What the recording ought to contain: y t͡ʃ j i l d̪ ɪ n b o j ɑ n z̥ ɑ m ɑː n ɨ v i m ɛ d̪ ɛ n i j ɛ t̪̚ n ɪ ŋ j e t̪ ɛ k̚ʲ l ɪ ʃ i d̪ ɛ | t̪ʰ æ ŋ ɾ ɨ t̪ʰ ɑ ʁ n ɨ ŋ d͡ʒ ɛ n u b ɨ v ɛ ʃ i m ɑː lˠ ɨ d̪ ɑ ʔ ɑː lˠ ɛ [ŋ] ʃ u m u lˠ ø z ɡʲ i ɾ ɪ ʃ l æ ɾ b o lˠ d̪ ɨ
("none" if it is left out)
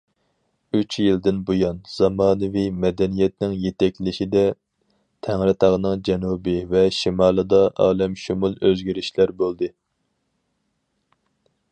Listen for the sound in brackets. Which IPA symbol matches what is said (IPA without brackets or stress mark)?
m